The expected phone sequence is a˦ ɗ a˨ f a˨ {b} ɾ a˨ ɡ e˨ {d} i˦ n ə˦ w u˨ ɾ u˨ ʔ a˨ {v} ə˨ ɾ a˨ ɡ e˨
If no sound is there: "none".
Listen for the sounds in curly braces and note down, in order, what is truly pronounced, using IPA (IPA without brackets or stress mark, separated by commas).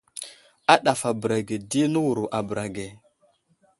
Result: b, d, b